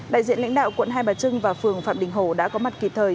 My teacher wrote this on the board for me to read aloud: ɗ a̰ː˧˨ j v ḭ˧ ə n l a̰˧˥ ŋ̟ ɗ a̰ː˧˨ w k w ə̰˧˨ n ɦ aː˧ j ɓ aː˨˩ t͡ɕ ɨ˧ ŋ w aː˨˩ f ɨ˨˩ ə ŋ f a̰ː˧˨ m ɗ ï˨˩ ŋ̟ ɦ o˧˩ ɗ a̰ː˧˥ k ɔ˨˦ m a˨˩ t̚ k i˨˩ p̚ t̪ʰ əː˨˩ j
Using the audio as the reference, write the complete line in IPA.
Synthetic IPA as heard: ɗ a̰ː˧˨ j z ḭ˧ ə n l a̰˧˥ ŋ̟ ɗ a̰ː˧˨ w k w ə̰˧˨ n ɦ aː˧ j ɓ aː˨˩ t͡ɕ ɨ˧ ŋ v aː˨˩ f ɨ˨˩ ə ŋ f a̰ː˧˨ m ɗ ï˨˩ ŋ̟ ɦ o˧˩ ɗ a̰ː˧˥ k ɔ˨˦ m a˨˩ t̚ k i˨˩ p̚ t̪ʰ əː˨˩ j